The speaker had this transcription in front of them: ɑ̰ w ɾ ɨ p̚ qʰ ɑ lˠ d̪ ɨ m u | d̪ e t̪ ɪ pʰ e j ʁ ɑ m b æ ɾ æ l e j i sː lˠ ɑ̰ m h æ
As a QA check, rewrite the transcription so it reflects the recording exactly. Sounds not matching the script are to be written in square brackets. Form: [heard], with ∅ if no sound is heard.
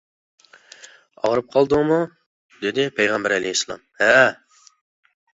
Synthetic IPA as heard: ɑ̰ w ɾ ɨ p̚ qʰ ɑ lˠ d̪ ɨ m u | d̪ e [d̪] ɪ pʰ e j ʁ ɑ m b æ ɾ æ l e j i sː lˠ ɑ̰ m h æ